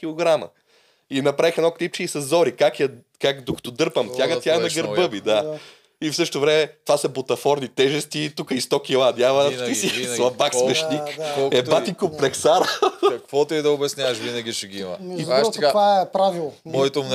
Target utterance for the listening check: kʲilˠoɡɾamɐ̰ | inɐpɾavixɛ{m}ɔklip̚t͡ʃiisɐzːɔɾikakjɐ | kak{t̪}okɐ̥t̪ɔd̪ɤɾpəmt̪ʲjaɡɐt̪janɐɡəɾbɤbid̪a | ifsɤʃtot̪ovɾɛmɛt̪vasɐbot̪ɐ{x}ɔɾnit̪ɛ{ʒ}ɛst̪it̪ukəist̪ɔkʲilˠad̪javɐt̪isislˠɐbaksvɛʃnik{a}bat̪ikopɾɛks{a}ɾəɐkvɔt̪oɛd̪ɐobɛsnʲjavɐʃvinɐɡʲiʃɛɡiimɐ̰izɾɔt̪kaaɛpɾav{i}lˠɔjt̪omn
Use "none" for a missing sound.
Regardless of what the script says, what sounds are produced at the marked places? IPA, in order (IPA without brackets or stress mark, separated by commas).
n, d̪, f, ʒ, ɛ, a, i